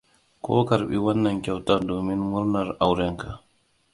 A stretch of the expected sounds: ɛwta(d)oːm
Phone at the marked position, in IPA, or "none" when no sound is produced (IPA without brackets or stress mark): d